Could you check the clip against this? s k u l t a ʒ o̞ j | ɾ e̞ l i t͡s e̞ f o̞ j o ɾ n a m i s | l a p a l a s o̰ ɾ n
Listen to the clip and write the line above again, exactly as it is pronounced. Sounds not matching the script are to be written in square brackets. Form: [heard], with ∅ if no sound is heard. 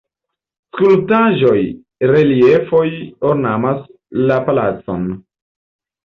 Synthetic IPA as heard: s k u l t a ʒ o̞ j | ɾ e̞ l i [∅] e̞ f o̞ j o ɾ n a m [a] s | l a p a l a [t͡s] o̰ [∅] n